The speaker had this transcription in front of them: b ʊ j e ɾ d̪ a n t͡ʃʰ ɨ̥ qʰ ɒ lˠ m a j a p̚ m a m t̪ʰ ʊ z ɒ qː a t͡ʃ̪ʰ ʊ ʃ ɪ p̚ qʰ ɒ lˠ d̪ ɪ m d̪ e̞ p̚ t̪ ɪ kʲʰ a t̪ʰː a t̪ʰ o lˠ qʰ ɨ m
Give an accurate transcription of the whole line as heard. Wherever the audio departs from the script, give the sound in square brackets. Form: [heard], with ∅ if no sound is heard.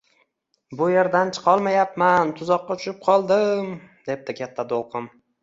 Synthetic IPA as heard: b ʊ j e ɾ d̪ a n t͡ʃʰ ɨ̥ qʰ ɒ lˠ m a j a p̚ m a [n] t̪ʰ ʊ z ɒ qː [ɑ] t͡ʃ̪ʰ ʊ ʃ ɪ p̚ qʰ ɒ lˠ d̪ ɪ m d̪ e̞ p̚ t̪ ɪ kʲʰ a t̪ʰː a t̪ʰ o lˠ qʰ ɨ m